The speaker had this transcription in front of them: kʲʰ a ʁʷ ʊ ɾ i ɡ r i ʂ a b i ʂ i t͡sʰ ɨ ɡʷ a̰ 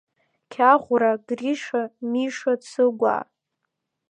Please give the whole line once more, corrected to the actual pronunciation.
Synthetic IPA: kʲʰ a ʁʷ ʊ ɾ a ɡ r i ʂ a m i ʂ a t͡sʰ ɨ ɡʷ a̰